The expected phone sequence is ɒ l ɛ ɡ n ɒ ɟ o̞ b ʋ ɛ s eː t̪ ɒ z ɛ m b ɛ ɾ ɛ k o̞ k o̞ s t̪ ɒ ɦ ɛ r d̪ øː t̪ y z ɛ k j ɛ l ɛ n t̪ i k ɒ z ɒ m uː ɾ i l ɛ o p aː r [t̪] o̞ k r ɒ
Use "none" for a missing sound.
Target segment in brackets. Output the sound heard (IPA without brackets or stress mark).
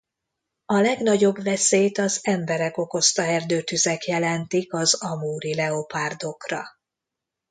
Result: d̪